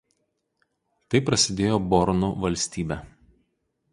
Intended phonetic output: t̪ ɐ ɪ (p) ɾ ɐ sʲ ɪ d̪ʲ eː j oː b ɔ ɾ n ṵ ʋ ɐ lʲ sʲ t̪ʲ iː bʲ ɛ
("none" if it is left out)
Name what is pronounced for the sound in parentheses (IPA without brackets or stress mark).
p